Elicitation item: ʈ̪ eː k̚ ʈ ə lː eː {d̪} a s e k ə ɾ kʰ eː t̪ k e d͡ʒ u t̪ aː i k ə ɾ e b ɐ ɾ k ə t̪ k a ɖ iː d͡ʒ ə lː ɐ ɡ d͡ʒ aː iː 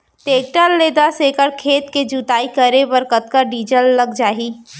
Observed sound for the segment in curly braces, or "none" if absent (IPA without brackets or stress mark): d̪